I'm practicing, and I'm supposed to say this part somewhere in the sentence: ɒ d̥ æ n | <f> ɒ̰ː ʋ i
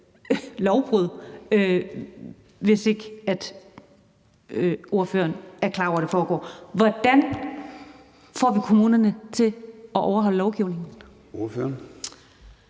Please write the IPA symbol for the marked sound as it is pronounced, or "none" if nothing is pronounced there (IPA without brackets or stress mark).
f